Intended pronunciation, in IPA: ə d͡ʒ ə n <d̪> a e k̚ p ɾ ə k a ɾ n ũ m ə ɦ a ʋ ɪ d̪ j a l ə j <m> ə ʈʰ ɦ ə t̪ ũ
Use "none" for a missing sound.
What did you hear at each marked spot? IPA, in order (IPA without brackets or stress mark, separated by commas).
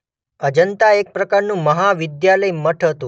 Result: t̪, m